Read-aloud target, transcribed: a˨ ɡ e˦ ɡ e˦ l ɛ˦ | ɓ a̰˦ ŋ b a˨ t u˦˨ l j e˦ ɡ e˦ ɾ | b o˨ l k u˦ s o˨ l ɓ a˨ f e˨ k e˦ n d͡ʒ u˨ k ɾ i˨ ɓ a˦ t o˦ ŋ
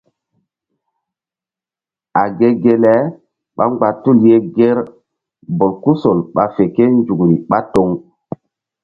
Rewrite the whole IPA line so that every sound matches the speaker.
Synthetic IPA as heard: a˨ ɡ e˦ ɡ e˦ l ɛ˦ | ɓ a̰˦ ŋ ɡ͡b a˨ t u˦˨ l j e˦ ɡ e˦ ɾ | b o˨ l k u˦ s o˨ l ɓ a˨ f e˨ k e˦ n d͡ʒ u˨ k ɾ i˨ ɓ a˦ t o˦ ŋ